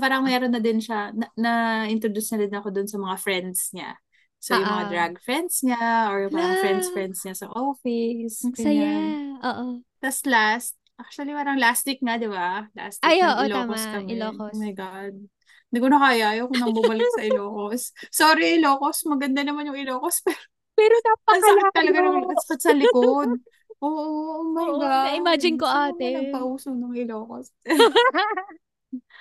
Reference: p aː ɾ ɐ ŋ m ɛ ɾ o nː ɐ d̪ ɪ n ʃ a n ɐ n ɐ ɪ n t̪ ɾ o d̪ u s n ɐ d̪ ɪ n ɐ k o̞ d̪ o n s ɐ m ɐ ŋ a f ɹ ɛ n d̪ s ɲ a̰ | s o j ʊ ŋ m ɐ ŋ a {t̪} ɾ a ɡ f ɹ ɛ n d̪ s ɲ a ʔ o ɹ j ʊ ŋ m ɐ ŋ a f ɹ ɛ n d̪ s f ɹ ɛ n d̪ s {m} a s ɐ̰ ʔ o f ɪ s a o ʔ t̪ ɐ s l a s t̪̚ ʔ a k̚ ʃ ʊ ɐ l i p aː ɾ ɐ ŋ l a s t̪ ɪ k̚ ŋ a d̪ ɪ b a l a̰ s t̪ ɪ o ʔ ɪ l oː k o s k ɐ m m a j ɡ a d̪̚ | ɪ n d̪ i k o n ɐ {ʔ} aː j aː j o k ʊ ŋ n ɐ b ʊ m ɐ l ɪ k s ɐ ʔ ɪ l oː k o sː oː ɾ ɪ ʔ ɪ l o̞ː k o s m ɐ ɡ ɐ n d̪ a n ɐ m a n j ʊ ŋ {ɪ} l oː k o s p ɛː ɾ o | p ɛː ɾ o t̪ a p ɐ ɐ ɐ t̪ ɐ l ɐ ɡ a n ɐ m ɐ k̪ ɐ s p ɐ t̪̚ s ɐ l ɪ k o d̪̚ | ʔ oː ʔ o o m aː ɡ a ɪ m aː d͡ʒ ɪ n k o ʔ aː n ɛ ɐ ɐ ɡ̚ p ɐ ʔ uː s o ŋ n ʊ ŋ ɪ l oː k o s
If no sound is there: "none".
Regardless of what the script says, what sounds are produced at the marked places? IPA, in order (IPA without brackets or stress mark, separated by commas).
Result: d̪, ɲ, k, ɪ